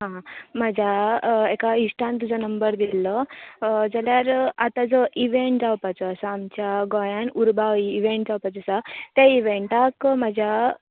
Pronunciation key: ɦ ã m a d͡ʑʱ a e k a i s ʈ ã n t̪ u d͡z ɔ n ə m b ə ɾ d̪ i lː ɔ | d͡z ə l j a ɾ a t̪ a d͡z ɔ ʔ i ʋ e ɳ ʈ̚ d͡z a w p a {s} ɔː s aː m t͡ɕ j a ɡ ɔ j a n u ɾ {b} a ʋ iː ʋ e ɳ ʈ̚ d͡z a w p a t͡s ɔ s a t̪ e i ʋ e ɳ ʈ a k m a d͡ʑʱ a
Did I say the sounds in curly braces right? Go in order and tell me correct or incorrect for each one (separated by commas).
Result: incorrect, correct